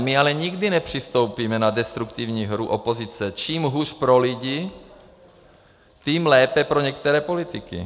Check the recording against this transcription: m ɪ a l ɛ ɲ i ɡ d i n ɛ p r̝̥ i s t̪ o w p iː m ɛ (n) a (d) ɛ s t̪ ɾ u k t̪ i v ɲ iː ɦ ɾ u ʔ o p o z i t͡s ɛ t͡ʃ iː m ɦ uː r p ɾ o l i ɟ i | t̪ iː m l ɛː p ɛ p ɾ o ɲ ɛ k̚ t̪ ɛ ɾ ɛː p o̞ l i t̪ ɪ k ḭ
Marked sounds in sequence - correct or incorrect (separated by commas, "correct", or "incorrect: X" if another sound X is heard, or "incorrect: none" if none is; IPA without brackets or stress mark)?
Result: correct, correct